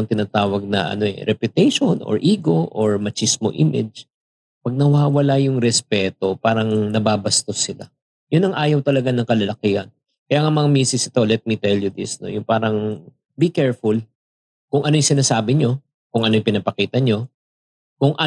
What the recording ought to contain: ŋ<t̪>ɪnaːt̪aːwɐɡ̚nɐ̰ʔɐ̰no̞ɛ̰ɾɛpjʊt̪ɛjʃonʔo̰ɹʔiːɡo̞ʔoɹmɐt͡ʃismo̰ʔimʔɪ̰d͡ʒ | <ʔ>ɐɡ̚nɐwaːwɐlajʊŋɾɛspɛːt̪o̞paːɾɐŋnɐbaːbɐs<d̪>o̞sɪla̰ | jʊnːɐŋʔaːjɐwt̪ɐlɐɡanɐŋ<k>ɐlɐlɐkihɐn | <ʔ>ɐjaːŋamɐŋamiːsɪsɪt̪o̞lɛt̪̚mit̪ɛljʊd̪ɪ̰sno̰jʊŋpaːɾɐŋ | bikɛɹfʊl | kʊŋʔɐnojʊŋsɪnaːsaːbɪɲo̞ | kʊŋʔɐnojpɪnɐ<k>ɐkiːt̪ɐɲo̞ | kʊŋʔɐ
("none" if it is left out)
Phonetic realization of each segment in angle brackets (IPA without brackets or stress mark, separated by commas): t̪, p, t̪, k, k, p